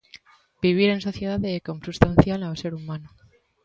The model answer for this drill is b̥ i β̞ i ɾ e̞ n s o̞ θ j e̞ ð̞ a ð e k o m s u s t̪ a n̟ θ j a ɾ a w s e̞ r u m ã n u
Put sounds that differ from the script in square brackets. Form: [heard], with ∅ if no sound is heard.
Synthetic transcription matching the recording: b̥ i β̞ i ɾ e̞ n s o̞ θ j e̞ ð̞ a ð e k o m s u s t̪ a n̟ θ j a [l] a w s e̞ [ɾ] u m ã n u